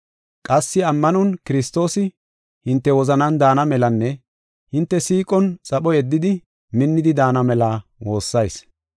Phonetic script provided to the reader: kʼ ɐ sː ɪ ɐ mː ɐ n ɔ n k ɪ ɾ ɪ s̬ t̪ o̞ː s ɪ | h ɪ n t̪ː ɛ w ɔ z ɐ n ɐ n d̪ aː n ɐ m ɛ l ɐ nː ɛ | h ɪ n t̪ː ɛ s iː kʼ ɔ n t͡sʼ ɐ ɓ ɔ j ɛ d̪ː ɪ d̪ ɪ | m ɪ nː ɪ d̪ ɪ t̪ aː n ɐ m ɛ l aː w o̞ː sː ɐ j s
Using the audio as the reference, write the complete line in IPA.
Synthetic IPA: kʼ ɐ sː ɪ ɐ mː ɐ n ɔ n k ɪ ɾ ɪ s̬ t̪ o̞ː s ɪ | h ɪ n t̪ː ɛ w ɔ z ɐ n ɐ n d̪ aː n ɐ m ɛ l ɐ nː ɛ | h ɪ n t̪ː ɛ s iː kʼ ɔ n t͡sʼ ɐ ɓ ɔ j ɛ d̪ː ɪ d̪ ɪ | m ɪ nː ɪ d̪ ɪ d̪ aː n ɐ m ɛ l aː w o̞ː sː ɐ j s